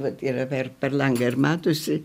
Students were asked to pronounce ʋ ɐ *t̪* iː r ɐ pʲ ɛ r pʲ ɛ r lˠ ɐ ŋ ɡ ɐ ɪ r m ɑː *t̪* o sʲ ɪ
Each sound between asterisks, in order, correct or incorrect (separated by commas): correct, correct